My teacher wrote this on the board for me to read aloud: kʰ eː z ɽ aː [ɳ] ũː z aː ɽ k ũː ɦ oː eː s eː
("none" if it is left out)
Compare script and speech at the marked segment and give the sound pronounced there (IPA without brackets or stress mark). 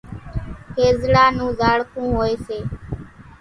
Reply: n